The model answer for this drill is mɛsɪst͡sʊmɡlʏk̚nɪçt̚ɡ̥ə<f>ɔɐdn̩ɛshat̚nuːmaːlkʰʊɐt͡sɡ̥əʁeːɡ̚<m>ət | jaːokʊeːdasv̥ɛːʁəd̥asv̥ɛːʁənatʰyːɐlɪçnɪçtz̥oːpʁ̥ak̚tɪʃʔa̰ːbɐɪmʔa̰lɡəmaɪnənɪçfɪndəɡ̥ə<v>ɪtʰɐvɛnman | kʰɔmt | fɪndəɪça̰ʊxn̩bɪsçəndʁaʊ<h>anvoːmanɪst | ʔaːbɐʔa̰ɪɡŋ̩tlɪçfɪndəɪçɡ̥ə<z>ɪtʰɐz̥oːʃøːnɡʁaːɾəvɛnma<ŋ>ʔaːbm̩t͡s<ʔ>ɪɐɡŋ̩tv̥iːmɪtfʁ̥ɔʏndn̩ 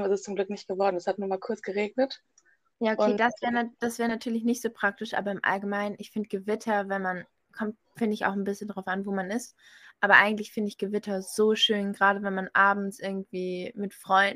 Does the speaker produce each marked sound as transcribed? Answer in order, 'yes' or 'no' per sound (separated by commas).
no, no, yes, no, no, no, yes